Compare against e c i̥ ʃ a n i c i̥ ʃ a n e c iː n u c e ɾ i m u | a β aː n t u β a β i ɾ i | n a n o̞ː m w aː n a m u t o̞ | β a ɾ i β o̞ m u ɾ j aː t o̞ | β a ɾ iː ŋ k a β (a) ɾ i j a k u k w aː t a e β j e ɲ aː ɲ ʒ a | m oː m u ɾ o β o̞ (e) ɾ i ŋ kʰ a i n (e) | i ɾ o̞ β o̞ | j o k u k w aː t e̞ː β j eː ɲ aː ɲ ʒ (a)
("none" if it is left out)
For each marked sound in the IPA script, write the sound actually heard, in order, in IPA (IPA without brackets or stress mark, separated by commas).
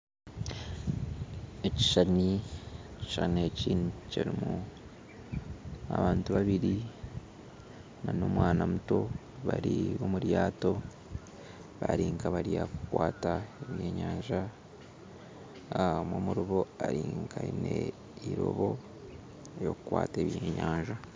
a, a, e, a